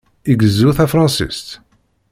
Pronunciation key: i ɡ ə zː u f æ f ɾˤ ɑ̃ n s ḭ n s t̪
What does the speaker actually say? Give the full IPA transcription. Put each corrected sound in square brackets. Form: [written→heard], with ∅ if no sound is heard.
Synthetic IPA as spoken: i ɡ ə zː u [f→θ] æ f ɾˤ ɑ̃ n s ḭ [n→∅] s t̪